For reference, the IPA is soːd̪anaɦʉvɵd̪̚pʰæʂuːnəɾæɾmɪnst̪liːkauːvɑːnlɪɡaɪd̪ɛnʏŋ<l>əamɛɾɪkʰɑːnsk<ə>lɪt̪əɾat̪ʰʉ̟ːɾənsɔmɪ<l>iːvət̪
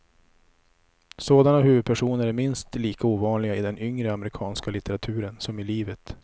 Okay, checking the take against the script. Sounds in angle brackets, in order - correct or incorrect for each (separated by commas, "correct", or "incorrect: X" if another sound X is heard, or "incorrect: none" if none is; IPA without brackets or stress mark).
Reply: incorrect: ɾ, incorrect: a, correct